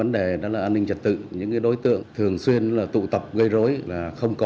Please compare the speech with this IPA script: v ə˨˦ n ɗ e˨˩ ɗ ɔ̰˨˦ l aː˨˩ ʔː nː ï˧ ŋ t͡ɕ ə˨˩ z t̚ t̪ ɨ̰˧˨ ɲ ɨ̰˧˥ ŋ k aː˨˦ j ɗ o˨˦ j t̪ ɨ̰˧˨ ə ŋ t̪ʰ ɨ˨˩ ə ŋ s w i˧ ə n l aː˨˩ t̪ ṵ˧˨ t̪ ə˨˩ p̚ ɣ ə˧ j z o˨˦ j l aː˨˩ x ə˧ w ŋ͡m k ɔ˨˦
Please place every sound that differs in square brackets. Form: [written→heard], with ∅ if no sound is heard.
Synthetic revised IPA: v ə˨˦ n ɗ e˨˩ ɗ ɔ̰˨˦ l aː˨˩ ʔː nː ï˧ ŋ t͡ɕ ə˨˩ [z→∅] t̚ t̪ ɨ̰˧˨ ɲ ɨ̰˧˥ ŋ k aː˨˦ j ɗ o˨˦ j t̪ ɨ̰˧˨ ə ŋ t̪ʰ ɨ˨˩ ə ŋ s w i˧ ə n l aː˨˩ t̪ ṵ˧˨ t̪ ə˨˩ p̚ ɣ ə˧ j z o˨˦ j l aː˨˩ x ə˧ w ŋ͡m k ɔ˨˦